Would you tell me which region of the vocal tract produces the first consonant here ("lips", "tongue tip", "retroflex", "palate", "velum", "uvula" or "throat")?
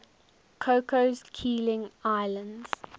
velum